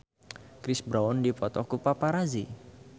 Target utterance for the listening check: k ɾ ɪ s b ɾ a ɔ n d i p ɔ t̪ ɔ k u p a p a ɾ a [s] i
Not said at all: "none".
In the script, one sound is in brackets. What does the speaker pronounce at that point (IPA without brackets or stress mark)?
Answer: z